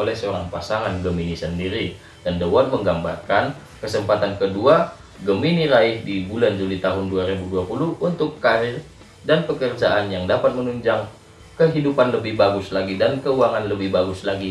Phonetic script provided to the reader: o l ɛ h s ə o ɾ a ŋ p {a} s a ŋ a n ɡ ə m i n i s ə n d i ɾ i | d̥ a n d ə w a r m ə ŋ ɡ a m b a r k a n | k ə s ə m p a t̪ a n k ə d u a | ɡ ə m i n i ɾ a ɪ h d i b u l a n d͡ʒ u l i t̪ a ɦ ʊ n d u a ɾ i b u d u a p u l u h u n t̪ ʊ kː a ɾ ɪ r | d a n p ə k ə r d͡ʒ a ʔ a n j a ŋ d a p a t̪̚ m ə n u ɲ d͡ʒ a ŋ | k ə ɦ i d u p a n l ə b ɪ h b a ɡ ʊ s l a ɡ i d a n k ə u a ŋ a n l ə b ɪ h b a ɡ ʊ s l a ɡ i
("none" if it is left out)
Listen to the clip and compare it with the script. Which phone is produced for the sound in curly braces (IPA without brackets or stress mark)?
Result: a